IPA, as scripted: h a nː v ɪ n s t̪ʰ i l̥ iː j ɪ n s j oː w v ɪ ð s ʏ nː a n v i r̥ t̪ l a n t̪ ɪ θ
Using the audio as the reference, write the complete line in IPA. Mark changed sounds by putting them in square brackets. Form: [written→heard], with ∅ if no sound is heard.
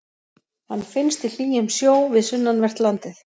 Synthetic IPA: h a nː [v→f] ɪ n s [t̪ʰ→t̪] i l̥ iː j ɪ [n→m] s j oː w v ɪ ð s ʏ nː a n v [i→ɛ] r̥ t̪ l a n t̪ ɪ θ